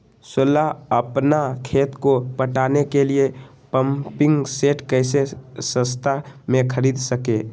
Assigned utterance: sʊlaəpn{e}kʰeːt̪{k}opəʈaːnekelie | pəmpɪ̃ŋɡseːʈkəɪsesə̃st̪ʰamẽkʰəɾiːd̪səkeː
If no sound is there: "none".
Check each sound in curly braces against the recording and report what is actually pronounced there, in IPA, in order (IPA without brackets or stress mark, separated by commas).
a, k